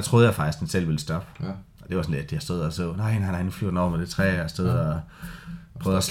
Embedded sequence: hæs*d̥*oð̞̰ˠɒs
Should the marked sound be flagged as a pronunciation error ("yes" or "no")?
no